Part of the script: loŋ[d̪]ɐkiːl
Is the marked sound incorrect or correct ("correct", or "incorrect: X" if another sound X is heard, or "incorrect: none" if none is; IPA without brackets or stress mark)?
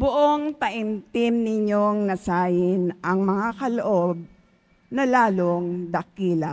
correct